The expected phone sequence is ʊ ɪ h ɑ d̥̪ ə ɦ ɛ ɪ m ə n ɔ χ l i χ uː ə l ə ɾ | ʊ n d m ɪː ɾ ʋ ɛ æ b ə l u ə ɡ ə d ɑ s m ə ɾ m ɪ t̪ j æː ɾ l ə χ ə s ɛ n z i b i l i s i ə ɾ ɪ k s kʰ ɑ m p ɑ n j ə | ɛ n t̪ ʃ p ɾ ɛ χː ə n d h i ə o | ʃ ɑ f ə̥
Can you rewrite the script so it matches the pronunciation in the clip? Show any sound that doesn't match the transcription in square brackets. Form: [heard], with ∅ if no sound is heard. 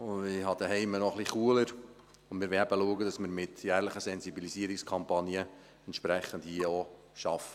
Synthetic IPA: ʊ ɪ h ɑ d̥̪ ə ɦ ɛ ɪ m ə n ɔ χ l i χ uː ə l ə ɾ | ʊ n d m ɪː ɾ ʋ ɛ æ b ə l u ə ɡ ə d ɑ s m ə ɾ m ɪ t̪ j æː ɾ l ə χ ə s ɛ n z i b i l i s i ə ɾ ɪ k s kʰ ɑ m p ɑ n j ə | ɛ n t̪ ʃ p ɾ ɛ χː ə n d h i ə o | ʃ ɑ f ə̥

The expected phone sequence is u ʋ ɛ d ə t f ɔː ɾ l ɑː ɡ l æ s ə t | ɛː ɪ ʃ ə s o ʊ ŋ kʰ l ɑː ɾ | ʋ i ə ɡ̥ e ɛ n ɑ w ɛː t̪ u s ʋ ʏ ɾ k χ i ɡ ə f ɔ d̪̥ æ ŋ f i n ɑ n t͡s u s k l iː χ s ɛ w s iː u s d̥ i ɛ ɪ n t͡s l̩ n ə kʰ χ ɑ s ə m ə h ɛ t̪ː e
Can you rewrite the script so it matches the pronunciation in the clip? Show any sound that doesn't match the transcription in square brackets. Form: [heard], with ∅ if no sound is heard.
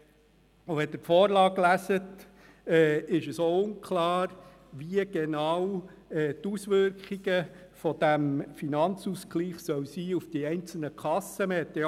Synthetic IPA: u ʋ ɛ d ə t f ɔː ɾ l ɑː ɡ l æ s ə t | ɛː ɪ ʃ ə s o ʊ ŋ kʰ l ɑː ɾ | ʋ i ə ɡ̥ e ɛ n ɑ w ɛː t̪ u s ʋ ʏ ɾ k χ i ɡ ə f ɔ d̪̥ æ [m] f i n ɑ n t͡s u s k l iː χ s [œ] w s iː u [f] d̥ i ɛ ɪ n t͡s l̩ n ə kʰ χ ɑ s ə m ə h ɛ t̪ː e

